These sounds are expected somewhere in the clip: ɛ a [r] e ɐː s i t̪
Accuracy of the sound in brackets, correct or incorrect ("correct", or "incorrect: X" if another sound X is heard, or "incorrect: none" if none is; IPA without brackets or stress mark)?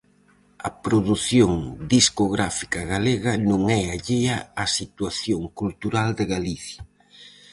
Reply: incorrect: ʎ